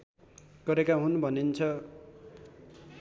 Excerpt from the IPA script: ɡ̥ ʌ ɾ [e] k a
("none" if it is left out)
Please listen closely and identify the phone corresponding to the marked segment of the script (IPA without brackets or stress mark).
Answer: e